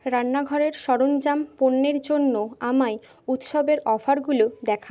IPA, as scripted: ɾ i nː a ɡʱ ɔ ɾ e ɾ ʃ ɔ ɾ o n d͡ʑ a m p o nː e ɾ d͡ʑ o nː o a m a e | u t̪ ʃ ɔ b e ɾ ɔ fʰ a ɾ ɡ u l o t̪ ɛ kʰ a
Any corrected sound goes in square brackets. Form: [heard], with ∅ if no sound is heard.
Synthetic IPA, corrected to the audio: ɾ [a] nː a ɡʱ ɔ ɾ e ɾ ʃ ɔ ɾ o n d͡ʑ a m p o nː e ɾ d͡ʑ o nː o a m a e | u t̪ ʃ ɔ b e ɾ ɔ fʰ a ɾ ɡ u l o [d̪] ɛ kʰ a

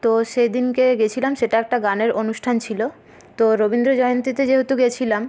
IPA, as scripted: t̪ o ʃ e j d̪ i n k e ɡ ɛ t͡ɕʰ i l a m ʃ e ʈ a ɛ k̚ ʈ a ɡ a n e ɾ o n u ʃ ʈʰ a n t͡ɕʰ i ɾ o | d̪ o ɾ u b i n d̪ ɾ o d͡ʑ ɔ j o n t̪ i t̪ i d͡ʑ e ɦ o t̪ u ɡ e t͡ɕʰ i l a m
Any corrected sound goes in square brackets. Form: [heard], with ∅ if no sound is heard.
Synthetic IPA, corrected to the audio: t̪ o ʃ e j d̪ i n k e ɡ [e] t͡ɕʰ i l a m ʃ e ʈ a ɛ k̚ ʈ a ɡ a n e ɾ o n u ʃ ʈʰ a n t͡ɕʰ i [l] o | [t̪] o ɾ [o] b i n d̪ ɾ o d͡ʑ ɔ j o n t̪ i t̪ [e] d͡ʑ e ɦ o t̪ u ɡ e t͡ɕʰ i l a m

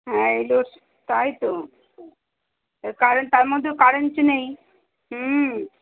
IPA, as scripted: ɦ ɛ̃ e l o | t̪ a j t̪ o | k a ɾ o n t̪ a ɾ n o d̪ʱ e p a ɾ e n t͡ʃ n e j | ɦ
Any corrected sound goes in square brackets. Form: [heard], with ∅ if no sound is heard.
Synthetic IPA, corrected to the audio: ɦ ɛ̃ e l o | t̪ a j t̪ o | k a ɾ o n t̪ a ɾ [m] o [d̪ʱː] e [k] a ɾ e n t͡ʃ n e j | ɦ

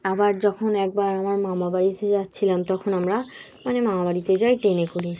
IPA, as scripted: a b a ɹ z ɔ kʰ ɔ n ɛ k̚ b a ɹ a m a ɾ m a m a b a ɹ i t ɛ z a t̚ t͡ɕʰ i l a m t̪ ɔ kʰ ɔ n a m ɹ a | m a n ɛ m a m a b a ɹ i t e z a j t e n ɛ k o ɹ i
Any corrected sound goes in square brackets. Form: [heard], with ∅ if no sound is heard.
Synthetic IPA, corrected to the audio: a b a ɹ z ɔ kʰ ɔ n ɛ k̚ b a ɹ a m a [ɹ] m a m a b a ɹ i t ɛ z a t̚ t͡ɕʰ i l a m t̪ ɔ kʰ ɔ n a m ɹ a | m a n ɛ m a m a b a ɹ i t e z a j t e n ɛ k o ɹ i

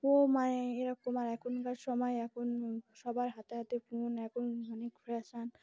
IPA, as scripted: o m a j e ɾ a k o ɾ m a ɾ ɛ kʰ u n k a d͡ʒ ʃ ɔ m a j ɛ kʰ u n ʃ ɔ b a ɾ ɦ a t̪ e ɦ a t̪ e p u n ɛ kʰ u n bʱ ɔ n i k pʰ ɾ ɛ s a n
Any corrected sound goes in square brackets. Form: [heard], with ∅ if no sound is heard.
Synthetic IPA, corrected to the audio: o m a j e ɾ a k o [∅] m a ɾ ɛ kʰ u n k a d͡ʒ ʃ ɔ m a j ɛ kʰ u n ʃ ɔ b a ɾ ɦ a t̪ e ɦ a t̪ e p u n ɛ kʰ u n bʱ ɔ n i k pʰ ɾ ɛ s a n

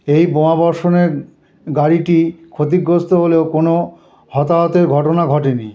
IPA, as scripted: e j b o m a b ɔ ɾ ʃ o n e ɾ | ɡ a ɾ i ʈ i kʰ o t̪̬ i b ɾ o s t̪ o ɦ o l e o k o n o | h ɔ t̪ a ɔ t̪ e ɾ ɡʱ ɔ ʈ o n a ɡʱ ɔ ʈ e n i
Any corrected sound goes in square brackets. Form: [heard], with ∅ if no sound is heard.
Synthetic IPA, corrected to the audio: e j b o m a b ɔ ɾ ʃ o n e ɾ | ɡ a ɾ i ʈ i kʰ o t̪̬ i [ɡ] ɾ o s t̪ o ɦ o l e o k o n o | h ɔ t̪ a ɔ t̪ e ɾ ɡʱ ɔ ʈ o n a ɡʱ ɔ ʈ e n i

